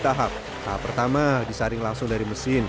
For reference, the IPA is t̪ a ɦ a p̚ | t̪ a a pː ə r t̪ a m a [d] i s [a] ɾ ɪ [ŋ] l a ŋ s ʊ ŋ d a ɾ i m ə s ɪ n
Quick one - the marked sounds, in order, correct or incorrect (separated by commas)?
correct, correct, correct